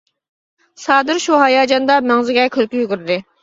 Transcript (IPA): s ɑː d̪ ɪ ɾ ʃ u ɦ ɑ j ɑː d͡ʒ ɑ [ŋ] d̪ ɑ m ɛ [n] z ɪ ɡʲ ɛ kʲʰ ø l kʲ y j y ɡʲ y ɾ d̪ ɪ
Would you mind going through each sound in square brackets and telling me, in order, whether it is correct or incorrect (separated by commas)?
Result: incorrect, incorrect